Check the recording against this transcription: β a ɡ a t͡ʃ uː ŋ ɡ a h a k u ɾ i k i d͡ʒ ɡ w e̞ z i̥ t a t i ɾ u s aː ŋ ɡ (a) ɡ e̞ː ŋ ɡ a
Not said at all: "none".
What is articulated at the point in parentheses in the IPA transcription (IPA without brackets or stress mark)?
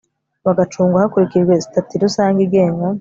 i